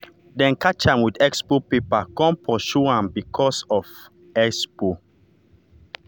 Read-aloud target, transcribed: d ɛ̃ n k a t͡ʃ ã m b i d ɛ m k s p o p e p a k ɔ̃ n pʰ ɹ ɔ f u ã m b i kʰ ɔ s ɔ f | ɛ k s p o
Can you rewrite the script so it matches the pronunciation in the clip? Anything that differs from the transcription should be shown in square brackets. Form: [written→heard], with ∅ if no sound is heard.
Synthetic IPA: d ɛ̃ n k a t͡ʃ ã m [b→w] i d ɛ [m→∅] k s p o p e p a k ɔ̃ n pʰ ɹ ɔ [f→ʃ] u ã m b i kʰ ɔ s ɔ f | ɛ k s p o